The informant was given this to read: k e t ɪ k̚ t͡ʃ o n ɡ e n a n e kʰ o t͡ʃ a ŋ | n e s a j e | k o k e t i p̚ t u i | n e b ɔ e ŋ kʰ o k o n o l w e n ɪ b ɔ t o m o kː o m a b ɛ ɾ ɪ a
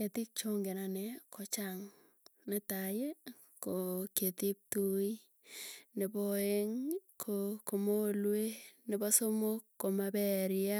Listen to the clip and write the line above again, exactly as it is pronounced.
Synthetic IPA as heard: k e t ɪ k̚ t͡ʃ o ŋ ɡ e n a n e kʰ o t͡ʃ a ŋ | n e t a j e | k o k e t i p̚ t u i | n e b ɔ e ŋ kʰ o k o m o l w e n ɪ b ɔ s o m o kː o m a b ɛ ɾ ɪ a